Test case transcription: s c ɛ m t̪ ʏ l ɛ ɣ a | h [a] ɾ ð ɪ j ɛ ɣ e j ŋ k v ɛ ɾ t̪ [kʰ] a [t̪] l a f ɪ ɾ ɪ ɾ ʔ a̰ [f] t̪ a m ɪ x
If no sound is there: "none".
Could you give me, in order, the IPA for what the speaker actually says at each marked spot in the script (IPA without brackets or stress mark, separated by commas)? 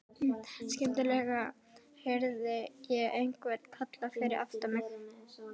ɛ, kʰ, t̪, f